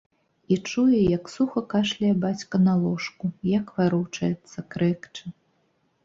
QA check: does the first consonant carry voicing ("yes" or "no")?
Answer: no